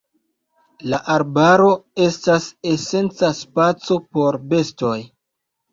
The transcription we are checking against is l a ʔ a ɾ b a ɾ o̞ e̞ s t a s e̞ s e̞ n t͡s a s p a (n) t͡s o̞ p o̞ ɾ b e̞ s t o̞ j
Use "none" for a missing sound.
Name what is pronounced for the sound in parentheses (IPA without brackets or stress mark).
none